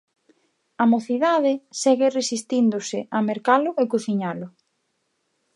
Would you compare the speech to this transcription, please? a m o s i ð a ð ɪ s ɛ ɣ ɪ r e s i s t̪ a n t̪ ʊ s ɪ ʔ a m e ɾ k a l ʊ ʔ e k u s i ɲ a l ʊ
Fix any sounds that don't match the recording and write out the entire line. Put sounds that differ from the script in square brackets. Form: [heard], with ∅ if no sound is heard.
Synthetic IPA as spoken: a m o [θ] i ð a ð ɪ s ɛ ɣ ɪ r e s i s t̪ [i] n [d̪] ʊ s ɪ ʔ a m e ɾ k a l ʊ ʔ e k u [θ] i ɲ a l ʊ